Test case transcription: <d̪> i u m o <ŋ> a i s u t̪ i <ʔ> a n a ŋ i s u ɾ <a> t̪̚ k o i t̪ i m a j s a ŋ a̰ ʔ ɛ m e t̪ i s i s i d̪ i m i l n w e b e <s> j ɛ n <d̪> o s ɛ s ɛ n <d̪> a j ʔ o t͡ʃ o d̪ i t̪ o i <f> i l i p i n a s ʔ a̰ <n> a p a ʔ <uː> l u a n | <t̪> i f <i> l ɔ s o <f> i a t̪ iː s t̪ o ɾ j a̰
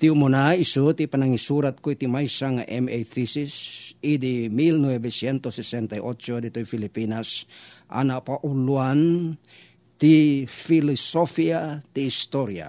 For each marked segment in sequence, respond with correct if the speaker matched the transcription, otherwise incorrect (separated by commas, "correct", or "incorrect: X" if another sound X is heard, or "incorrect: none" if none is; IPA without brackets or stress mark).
incorrect: t̪, incorrect: n, incorrect: p, correct, correct, incorrect: t̪, incorrect: t̪, correct, correct, incorrect: u, correct, correct, correct